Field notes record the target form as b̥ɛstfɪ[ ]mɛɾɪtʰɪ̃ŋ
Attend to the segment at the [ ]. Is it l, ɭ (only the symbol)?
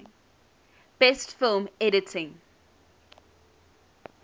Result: l